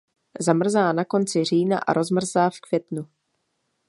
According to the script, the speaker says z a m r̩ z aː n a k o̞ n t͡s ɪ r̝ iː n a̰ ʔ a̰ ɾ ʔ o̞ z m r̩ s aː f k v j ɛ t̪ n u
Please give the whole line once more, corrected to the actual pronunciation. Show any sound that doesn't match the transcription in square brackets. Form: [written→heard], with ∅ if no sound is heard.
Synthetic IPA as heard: z a m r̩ z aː n a k o̞ n t͡s ɪ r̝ iː n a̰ ʔ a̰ ɾ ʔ o̞ z m r̩ [s→z] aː f k v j ɛ t̪ n u